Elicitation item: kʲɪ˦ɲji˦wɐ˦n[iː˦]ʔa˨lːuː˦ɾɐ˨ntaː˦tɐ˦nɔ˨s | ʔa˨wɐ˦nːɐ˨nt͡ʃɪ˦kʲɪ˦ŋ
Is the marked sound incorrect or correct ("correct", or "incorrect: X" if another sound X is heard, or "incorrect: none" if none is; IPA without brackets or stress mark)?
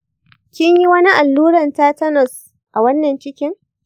incorrect: i˦